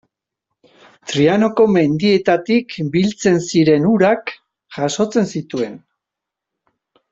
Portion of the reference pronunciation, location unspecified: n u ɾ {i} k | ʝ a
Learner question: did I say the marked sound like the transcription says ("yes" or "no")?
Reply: no